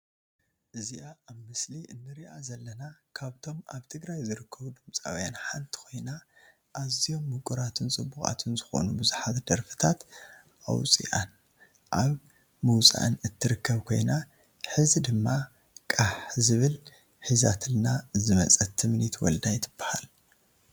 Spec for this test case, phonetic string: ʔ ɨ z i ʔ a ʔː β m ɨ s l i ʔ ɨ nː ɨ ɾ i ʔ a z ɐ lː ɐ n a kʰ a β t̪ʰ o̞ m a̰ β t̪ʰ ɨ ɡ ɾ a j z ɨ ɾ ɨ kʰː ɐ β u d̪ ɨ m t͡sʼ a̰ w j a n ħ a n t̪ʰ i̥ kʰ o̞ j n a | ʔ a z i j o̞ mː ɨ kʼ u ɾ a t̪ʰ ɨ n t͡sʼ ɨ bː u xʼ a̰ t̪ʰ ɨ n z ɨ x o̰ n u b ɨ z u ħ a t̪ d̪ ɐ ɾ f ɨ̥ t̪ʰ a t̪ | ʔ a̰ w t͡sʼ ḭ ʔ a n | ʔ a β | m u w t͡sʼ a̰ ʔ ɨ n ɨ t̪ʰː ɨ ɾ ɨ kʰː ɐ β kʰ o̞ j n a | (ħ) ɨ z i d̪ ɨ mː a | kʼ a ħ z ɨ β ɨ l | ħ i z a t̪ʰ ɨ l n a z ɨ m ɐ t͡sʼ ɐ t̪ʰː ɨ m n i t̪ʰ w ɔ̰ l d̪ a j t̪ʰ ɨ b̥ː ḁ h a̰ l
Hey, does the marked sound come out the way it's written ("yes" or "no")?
yes